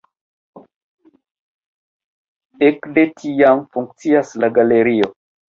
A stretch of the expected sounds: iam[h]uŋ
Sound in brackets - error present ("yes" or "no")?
yes